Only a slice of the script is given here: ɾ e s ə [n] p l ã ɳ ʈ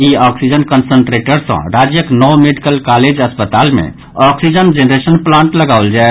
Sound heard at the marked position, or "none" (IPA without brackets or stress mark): n